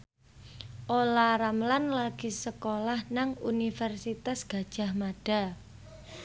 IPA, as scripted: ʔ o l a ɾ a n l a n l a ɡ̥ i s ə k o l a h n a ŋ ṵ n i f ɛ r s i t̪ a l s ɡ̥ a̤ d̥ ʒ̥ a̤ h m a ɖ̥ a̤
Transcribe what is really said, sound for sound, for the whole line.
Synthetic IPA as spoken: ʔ o l a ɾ a m l a n l a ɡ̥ i s ə k o l a h n a ŋ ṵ n i f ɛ r s i t̪ a s ɡ̥ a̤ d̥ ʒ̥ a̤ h m a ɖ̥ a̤